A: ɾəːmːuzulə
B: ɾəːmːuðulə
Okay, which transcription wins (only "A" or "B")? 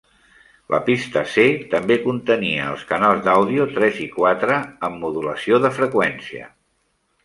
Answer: B